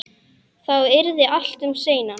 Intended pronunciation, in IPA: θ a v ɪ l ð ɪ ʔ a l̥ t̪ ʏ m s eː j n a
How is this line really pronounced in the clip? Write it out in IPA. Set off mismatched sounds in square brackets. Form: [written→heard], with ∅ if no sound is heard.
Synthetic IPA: θ a [v→w] ɪ [l→ɾ] ð ɪ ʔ a l̥ t̪ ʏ m s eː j n a